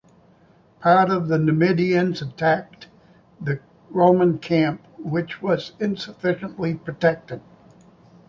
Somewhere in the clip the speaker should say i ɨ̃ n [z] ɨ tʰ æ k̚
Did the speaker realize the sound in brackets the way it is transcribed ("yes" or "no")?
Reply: yes